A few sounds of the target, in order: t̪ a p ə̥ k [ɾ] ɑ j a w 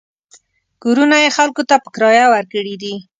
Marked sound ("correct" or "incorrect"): correct